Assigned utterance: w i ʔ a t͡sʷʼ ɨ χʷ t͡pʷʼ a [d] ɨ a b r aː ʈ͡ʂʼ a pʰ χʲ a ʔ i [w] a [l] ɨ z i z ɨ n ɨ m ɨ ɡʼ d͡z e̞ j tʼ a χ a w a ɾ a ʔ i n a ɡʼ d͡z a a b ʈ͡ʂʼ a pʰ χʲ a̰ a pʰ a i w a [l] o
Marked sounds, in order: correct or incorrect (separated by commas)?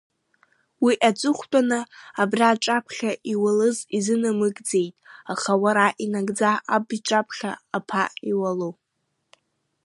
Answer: incorrect, correct, correct, correct